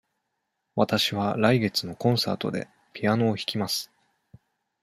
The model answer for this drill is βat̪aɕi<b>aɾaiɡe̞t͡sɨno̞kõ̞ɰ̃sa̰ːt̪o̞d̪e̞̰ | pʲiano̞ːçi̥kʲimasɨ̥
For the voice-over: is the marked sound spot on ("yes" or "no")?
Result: no